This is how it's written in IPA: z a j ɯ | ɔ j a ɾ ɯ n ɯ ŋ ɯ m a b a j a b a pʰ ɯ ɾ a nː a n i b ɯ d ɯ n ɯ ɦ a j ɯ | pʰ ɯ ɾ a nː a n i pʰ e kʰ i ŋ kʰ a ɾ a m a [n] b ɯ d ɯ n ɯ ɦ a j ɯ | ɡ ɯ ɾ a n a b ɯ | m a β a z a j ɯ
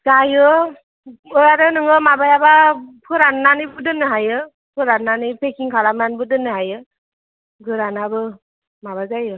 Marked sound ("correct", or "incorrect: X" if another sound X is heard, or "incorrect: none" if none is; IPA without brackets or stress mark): correct